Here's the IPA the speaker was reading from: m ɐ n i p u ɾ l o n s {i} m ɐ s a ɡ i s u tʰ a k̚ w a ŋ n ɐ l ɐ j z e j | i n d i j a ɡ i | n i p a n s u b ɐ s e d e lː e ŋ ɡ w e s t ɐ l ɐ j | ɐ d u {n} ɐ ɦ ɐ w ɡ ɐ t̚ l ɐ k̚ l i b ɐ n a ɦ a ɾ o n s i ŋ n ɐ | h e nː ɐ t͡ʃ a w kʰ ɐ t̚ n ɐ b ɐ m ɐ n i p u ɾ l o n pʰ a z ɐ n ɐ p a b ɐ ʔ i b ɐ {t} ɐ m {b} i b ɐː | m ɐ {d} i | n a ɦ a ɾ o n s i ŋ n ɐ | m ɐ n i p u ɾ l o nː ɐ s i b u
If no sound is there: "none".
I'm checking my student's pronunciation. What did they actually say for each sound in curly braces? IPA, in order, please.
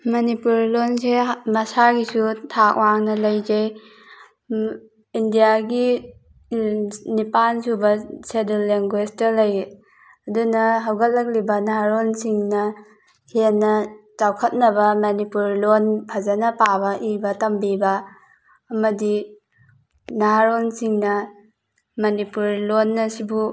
e, n, t, b, d

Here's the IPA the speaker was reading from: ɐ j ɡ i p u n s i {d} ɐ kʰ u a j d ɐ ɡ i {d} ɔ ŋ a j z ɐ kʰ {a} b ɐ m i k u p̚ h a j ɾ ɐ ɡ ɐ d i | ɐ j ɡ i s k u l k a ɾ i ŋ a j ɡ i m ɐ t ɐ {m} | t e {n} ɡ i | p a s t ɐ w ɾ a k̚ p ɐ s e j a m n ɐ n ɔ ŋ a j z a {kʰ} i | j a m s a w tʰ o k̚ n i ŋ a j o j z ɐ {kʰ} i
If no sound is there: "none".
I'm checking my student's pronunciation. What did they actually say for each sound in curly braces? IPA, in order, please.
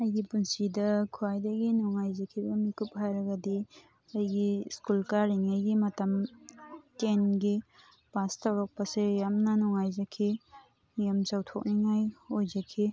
d, n, i, m, n, kʰ, kʰ

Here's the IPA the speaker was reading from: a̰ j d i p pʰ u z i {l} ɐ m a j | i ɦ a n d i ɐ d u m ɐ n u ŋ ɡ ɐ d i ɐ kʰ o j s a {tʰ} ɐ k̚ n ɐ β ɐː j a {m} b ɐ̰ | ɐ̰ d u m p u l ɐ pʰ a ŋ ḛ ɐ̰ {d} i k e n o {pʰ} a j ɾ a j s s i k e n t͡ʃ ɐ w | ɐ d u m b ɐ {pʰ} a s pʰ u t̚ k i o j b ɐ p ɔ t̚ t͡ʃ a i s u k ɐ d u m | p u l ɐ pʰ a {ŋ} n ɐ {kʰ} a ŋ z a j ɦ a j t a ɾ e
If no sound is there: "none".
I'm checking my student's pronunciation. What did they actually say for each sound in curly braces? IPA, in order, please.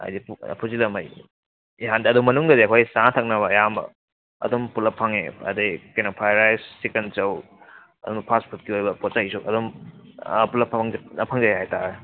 l, tʰ, m, d, pʰ, pʰ, ŋ, pʰ

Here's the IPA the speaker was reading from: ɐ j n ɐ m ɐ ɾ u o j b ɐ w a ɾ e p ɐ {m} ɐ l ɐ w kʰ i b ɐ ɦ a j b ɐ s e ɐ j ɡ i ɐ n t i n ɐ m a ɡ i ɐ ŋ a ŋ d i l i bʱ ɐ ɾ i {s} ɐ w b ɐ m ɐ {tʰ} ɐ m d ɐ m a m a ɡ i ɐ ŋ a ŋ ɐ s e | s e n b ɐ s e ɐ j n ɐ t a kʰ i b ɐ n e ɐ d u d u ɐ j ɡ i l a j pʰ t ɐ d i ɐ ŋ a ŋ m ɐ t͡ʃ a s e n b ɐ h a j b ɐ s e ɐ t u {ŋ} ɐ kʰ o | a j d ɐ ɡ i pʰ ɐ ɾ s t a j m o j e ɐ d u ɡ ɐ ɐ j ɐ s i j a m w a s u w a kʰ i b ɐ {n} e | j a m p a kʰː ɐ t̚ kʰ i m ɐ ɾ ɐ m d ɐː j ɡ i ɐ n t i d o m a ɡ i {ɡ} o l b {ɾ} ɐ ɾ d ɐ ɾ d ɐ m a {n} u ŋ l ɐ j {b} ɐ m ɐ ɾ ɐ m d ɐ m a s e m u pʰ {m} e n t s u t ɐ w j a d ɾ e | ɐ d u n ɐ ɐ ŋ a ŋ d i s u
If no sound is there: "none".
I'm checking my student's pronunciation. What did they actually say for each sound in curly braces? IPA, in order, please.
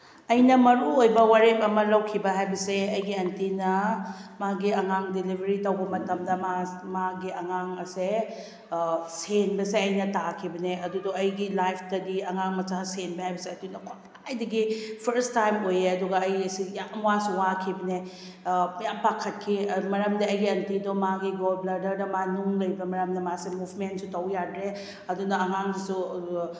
m, t, t, n, n, ɡ, l, n, b, m

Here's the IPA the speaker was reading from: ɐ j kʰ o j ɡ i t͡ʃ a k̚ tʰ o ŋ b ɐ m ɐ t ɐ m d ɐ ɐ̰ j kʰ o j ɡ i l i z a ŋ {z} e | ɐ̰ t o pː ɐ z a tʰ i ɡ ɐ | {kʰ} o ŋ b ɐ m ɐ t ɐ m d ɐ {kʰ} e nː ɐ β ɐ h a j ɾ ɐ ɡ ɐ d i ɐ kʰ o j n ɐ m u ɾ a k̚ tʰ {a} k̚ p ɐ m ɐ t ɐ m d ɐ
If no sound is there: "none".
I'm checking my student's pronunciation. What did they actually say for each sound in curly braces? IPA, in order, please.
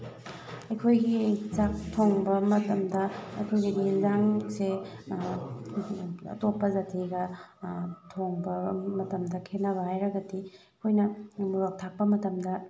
s, tʰ, kʰ, a

